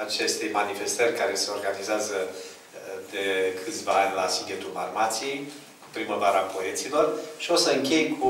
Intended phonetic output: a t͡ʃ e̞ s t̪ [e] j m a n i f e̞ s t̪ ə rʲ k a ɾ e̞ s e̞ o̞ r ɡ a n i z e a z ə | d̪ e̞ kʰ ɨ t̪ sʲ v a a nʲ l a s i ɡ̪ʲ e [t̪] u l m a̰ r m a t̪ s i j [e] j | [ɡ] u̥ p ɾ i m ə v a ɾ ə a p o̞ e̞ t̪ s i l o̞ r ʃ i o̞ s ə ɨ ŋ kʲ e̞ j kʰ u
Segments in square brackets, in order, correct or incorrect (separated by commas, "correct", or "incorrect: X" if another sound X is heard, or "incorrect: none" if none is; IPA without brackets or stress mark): correct, correct, correct, incorrect: k